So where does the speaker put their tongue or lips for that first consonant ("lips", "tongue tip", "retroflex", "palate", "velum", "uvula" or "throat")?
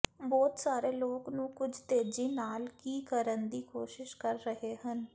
lips